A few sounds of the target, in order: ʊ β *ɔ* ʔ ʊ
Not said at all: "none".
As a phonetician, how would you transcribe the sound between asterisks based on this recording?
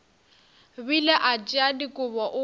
ɔ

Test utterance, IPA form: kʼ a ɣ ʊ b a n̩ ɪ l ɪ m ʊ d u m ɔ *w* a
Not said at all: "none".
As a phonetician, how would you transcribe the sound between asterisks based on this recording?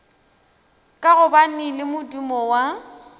w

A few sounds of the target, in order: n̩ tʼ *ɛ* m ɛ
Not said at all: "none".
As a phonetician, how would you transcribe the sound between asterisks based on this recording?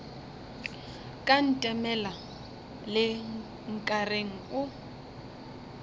ɛ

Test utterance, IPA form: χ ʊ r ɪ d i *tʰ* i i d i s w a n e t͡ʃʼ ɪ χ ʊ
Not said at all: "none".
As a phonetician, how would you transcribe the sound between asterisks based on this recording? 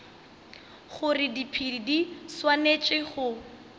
pʰ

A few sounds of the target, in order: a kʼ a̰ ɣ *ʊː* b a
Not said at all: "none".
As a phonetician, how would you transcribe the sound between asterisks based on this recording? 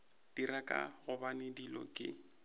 ʊ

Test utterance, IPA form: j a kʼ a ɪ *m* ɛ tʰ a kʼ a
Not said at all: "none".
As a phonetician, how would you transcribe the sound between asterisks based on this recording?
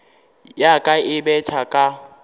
b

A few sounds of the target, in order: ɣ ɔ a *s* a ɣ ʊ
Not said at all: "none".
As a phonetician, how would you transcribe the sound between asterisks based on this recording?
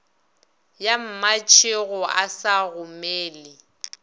s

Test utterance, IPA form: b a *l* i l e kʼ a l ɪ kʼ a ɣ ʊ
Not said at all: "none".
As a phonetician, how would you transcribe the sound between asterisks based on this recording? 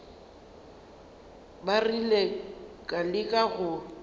r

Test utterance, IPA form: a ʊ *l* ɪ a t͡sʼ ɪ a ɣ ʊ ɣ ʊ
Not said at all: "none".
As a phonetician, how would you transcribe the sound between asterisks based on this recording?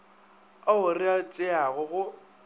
r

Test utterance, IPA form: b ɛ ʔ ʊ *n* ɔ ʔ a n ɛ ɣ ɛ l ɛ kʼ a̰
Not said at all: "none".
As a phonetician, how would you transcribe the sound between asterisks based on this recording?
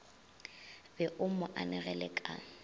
m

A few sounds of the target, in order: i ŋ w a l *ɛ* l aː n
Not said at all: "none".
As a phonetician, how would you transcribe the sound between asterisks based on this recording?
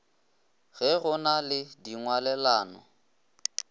ɛ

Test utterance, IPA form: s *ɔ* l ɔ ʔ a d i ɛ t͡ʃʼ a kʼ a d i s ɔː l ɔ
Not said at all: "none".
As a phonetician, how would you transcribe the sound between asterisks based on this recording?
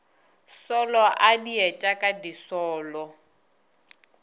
ɔ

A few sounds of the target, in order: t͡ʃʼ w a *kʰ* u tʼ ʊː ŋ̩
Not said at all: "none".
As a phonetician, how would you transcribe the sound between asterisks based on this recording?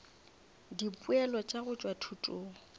tʰ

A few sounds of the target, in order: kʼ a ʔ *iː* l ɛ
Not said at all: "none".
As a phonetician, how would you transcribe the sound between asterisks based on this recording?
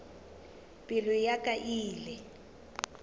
iː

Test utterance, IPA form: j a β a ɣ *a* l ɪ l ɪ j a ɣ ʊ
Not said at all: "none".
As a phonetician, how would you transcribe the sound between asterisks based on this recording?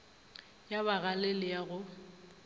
a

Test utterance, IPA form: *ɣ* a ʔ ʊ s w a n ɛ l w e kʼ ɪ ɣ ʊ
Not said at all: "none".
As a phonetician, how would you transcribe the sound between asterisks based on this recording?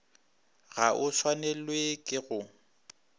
ɣ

